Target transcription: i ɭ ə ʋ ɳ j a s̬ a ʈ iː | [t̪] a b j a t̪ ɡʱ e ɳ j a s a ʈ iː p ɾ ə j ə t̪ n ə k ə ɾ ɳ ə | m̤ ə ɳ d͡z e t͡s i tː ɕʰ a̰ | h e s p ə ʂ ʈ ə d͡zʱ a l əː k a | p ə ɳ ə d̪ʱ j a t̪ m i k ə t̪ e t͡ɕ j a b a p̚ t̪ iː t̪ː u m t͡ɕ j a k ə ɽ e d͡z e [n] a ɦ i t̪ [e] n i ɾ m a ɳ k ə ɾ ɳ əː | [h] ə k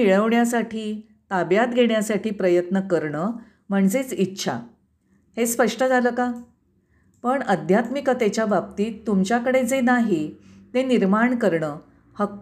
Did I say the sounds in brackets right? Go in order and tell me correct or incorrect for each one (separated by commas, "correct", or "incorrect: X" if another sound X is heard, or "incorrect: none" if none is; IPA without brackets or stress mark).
correct, correct, correct, correct